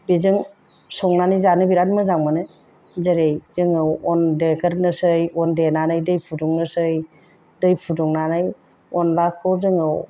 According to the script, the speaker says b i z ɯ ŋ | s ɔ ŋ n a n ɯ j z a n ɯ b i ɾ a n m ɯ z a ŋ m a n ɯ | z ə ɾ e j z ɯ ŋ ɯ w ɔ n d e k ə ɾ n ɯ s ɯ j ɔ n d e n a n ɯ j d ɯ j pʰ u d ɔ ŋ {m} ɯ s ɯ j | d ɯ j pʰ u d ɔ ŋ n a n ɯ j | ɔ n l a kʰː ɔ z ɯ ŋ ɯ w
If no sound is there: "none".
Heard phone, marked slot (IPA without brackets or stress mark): n